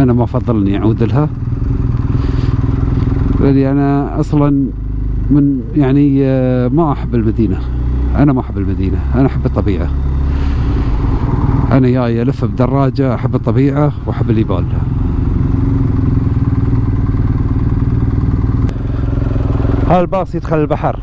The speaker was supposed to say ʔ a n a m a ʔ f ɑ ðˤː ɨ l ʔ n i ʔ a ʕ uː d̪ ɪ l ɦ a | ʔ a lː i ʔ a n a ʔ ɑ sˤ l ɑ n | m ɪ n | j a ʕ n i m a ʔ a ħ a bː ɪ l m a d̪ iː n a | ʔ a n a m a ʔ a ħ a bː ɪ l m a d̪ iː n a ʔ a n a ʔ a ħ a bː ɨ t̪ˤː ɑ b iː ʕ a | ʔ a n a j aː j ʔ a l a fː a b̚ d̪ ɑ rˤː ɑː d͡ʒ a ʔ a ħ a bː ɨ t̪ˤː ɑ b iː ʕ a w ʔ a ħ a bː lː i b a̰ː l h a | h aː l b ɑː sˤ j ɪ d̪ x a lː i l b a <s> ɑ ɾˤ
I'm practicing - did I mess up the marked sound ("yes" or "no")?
yes